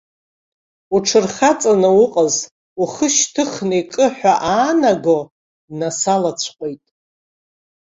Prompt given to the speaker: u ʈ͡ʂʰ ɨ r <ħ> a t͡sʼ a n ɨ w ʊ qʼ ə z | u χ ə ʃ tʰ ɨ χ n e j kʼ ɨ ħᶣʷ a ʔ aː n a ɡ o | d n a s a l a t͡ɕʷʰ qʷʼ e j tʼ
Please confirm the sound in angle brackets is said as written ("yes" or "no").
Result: no